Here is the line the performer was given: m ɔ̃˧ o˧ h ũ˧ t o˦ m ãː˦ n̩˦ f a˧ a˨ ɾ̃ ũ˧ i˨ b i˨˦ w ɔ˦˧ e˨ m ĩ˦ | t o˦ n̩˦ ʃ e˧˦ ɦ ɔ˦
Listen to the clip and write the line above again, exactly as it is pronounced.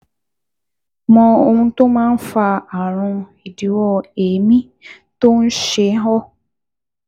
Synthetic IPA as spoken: m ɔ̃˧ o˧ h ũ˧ t o˦ m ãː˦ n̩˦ f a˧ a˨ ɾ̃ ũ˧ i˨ d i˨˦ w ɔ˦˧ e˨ m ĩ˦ | t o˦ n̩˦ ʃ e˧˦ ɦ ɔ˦

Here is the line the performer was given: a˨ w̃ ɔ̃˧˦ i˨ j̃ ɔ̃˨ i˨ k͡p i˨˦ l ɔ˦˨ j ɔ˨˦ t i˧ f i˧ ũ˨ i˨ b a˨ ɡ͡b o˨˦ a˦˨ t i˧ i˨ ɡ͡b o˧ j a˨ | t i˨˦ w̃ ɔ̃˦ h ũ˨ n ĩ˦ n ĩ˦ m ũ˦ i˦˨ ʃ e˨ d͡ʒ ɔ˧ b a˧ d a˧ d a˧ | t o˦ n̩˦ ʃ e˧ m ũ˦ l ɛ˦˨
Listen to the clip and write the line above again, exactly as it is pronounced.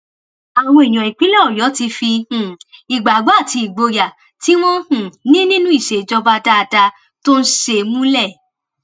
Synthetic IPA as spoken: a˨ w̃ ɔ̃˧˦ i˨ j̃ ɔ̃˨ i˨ k͡p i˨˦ l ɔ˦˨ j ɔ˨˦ t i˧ f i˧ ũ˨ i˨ ɡ͡b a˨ ɡ͡b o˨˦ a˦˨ t i˧ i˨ ɡ͡b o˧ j a˨ | t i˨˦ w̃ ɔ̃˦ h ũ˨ n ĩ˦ n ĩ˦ n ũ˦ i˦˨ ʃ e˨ d͡ʒ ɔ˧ b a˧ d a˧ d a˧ | t o˦ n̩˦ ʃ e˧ m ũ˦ l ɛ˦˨

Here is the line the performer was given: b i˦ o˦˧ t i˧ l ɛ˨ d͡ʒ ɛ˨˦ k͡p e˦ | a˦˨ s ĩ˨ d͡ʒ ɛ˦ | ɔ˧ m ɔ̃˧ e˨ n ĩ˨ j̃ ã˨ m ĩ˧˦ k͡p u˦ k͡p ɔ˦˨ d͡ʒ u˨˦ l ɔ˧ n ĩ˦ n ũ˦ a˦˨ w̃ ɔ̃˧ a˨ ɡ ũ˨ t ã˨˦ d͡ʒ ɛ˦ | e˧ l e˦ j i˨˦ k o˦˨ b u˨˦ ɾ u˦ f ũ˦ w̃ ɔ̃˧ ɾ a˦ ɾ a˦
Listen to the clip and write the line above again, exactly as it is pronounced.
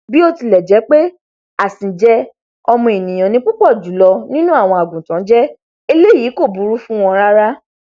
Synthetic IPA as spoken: b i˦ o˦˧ t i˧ l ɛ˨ d͡ʒ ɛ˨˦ k͡p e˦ | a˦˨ s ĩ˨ d͡ʒ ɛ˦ | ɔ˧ m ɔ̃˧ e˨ n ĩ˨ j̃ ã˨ n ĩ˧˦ k͡p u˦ k͡p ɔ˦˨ d͡ʒ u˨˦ l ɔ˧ n ĩ˦ n ũ˦ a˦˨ w̃ ɔ̃˧ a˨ ɡ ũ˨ t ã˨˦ d͡ʒ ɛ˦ | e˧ l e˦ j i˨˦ k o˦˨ b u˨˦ ɾ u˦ f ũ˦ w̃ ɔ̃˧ ɾ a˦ ɾ a˦

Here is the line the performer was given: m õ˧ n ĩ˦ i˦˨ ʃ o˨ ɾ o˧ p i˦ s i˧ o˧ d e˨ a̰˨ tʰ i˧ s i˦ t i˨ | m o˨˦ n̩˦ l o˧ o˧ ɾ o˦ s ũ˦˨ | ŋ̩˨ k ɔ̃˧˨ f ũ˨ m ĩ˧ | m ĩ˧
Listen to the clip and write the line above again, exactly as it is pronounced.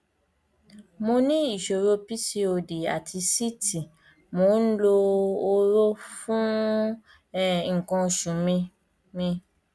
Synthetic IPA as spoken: m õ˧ n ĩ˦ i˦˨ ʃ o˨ ɾ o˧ p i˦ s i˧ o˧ d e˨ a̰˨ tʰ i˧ s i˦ t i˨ | m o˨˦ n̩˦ l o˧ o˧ ɾ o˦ f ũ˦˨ | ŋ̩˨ k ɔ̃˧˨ ʃ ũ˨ m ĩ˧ | m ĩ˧

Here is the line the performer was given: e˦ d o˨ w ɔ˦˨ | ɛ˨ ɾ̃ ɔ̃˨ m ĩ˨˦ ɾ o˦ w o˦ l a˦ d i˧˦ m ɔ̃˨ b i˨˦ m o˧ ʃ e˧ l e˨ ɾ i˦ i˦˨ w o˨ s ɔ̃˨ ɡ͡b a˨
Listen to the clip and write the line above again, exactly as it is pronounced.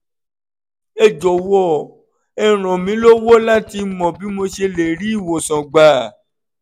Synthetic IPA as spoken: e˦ d͡ʒ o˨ w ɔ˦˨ | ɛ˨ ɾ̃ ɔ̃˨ m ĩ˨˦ l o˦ w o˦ l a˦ t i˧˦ m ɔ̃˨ b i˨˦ m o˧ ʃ e˧ l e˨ ɾ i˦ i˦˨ w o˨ s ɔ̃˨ ɡ͡b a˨

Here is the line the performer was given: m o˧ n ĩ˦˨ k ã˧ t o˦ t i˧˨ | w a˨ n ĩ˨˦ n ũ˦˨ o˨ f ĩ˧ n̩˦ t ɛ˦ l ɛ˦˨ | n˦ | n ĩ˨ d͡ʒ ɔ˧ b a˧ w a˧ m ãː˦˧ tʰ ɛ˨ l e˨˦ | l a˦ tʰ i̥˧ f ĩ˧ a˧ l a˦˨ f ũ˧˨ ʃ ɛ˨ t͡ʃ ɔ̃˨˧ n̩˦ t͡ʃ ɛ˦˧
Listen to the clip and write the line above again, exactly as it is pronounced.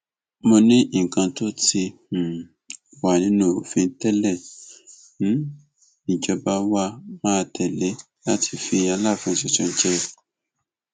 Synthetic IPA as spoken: m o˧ n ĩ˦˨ k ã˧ t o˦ t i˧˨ | w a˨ n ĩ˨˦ n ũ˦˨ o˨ f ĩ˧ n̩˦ t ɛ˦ l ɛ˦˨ | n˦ | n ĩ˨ d͡ʒ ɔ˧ b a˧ w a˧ m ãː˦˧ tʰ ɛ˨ l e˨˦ | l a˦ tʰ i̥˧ f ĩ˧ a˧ l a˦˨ f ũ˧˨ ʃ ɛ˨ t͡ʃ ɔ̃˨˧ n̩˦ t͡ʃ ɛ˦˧

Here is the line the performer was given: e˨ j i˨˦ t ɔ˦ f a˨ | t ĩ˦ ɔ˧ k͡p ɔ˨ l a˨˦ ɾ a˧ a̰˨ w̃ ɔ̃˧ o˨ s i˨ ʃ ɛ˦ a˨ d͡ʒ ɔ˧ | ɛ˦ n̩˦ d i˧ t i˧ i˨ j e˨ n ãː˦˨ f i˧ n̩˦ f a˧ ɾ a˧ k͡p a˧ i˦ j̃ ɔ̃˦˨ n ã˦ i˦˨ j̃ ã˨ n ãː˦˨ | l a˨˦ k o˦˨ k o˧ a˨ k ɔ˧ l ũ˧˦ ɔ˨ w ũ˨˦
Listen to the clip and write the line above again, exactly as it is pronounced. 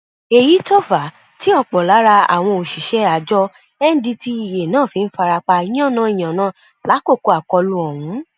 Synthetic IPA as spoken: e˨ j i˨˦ t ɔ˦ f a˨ | t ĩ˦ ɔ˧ k͡p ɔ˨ l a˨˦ ɾ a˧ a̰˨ w̃ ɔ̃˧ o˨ ʃ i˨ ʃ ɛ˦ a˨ d͡ʒ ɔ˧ | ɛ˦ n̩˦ d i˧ t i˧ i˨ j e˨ n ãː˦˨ f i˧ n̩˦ f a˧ ɾ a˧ k͡p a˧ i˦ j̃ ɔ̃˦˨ n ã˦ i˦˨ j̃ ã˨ n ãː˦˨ | l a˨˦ k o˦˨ k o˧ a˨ k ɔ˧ l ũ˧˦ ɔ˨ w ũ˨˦

